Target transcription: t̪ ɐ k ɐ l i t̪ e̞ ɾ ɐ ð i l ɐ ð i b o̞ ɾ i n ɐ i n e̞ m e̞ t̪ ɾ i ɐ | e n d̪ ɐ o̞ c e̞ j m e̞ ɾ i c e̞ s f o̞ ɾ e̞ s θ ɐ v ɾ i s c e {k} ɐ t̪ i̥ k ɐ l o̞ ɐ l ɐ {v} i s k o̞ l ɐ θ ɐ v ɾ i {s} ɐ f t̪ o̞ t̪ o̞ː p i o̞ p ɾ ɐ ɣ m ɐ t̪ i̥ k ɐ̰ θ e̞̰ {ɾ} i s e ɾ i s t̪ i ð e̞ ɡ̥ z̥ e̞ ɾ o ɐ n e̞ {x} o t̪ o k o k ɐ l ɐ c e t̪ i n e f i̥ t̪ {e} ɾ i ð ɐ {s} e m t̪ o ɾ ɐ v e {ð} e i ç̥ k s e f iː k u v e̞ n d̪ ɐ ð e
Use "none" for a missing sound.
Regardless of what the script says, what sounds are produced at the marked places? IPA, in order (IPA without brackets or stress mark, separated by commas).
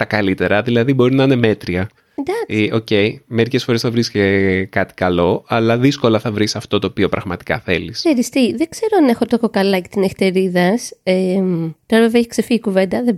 k, ð, s, l, x, e, s, v